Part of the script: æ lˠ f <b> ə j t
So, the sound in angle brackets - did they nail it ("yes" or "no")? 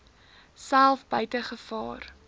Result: yes